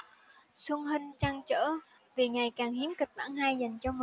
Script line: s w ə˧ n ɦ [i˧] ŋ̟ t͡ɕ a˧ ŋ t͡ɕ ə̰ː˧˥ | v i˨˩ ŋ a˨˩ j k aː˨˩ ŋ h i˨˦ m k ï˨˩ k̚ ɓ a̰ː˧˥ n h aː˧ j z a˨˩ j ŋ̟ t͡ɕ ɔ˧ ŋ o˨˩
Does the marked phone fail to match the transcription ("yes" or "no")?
no